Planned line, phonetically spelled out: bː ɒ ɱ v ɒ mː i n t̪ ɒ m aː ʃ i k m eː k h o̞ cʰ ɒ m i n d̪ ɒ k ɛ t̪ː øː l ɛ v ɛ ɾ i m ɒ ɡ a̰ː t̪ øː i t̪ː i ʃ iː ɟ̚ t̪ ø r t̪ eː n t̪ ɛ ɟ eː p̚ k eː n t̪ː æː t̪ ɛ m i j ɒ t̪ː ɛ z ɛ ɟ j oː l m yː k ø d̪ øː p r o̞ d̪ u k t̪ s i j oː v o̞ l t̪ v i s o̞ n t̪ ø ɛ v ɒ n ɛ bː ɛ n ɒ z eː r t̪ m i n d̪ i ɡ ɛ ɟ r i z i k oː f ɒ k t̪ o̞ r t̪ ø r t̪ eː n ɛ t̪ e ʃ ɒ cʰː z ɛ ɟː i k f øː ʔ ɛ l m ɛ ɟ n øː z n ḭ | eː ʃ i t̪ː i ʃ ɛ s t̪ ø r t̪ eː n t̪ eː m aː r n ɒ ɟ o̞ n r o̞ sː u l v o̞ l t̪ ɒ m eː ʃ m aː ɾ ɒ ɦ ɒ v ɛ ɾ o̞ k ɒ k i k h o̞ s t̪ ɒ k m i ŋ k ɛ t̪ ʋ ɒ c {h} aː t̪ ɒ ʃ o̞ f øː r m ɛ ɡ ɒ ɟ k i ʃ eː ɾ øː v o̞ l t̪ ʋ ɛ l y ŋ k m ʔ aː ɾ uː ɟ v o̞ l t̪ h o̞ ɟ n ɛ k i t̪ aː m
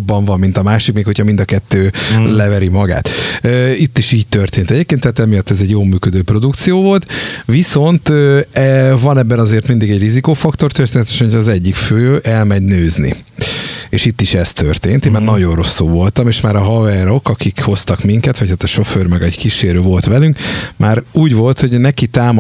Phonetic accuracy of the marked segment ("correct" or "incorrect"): correct